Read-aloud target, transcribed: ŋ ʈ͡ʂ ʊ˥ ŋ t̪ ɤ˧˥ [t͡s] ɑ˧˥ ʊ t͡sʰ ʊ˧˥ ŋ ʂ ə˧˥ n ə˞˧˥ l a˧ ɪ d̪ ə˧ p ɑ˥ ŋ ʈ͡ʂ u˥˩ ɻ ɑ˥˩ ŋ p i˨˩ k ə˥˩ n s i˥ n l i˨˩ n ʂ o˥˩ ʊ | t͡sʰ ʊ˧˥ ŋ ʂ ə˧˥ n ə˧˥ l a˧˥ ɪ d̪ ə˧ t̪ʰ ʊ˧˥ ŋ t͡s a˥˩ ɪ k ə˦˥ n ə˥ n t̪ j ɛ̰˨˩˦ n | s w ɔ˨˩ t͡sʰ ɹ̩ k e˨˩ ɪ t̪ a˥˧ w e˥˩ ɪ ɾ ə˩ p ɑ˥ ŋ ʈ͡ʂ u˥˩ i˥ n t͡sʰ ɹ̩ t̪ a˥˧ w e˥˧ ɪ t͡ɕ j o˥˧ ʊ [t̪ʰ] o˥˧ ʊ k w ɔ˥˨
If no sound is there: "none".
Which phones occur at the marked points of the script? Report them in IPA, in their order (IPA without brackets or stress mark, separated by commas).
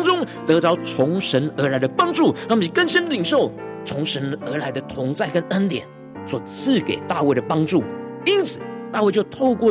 t͡s, t̪ʰ